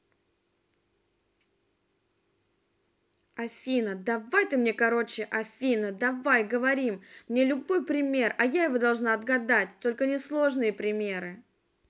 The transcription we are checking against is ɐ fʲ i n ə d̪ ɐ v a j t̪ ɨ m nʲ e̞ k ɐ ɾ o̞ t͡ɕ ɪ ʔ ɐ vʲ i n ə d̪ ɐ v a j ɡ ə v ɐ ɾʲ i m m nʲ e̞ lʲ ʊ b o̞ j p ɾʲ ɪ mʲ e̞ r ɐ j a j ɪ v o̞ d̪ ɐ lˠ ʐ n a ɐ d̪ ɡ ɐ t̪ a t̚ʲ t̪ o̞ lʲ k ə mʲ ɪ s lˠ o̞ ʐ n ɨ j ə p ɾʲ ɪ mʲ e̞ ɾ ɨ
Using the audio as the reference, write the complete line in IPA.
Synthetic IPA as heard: ɐ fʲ i n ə d̪ ɐ v a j t̪ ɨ m nʲ e̞ k ɐ ɾ o̞ t͡ɕ ɪ ʔ ɐ fʲ i n ə d̪ ɐ v a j ɡ ə v ɐ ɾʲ i m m nʲ e̞ lʲ ʊ b o̞ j p ɾʲ ɪ mʲ e̞ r ɐ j a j ɪ v o̞ d̪ ɐ lˠ ʐ n a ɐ d̪ ɡ ɐ d̪ a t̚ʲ t̪ o̞ lʲ k ə nʲ ɪ s lˠ o̞ ʐ n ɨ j ə p ɾʲ ɪ mʲ e̞ ɾ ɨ

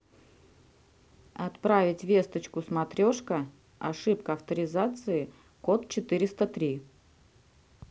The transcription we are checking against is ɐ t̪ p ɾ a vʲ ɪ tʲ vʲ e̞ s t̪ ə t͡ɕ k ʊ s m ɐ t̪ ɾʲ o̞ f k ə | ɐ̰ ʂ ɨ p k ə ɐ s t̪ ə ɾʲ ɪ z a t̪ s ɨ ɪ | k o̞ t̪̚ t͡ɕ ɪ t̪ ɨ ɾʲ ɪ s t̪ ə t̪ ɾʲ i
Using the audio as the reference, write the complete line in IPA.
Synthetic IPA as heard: ɐ t̪ p ɾ a vʲ ɪ tʲ vʲ e̞ s t̪ ə t͡ɕ k ʊ s m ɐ t̪ ɾʲ o̞ ʂ k ə | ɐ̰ ʂ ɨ p k ə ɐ f t̪ ə ɾʲ ɪ z a t̪ s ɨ ɪ | k o̞ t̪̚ t͡ɕ ɪ t̪ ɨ ɾʲ ɪ s t̪ ə t̪ ɾʲ i

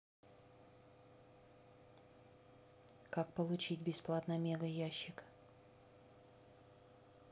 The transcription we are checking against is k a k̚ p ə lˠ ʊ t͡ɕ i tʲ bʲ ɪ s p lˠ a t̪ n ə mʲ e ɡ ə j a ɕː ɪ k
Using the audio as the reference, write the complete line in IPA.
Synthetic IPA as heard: k a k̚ p ə lˠ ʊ t͡ɕ i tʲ bʲ ɪ s p lˠ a t̪ n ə mʲ e ɡ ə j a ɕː ɪ k

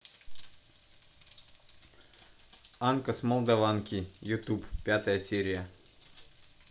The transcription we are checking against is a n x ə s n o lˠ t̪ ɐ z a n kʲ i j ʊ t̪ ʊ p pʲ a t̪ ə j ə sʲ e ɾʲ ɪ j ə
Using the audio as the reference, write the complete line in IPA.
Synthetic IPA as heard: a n k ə s m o lˠ d̪ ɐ v a n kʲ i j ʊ t̪ u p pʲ a t̪ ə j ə sʲ e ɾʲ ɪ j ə

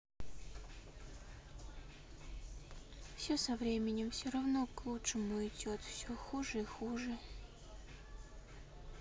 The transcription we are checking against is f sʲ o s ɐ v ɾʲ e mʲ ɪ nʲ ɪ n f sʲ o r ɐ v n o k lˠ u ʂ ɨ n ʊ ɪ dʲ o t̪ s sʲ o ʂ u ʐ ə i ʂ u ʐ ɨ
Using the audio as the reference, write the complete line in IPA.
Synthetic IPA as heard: f sʲ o s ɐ v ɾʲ e mʲ ɪ nʲ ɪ m f sʲ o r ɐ v n o k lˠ u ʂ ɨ m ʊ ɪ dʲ o t̪ f sʲ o x u ʐ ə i x u ʐ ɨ

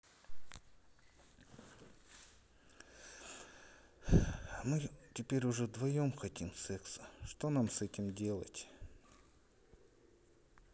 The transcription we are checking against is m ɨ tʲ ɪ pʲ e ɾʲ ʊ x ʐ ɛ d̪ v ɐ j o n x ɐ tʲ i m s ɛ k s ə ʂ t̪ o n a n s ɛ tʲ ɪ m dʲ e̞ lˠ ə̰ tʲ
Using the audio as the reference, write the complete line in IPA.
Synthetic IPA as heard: m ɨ tʲ ɪ pʲ e ɾʲ ʊ ʐ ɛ d̪ v ɐ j o m x ɐ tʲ i m s ɛ k s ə ʂ t̪ o n a m s ɛ tʲ ɪ m dʲ e̞ lˠ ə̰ tʲ

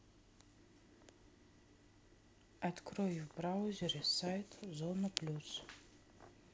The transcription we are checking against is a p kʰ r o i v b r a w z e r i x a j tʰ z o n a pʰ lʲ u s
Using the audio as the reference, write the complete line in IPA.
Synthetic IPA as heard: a t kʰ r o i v b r a w z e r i s a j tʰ z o n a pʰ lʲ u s

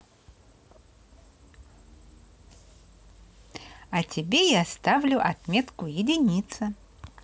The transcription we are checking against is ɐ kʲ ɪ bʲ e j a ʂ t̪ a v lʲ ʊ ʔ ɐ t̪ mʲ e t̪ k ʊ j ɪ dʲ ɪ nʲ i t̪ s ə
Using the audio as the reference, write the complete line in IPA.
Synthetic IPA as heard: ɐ tʲ ɪ bʲ e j a s t̪ a v lʲ ʊ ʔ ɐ t̪ mʲ e t̪ k ʊ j ɪ dʲ ɪ nʲ i t̪ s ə

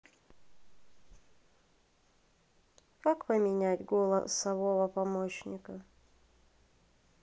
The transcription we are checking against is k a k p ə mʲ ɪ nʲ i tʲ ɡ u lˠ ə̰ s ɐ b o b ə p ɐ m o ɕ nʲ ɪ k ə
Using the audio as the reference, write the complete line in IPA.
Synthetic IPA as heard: k a k p ə mʲ ɪ nʲ æ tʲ ɡ o lˠ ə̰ s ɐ v o v ə p ɐ m o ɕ nʲ ɪ k ə

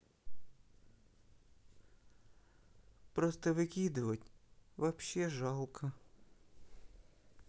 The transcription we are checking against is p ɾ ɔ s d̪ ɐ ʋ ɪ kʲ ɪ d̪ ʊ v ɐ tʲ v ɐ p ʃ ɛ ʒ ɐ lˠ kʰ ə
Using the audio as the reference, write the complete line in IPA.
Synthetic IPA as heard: p ɾ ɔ s t̪ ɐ ʋ ɪ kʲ i d̪ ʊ ʋ ɐ tʲ ʋ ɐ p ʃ ɛ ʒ ɑ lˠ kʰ ɐ

